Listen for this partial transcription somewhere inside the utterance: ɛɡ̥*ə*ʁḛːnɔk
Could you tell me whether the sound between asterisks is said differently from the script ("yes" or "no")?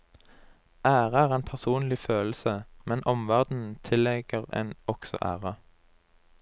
no